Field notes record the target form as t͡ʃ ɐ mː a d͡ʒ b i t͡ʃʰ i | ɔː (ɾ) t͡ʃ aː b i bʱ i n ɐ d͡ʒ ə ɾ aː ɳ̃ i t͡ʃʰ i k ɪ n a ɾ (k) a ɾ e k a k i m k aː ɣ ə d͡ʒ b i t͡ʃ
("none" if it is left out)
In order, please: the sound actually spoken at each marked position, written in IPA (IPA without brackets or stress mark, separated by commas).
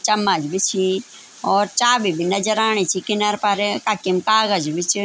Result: ɾ, p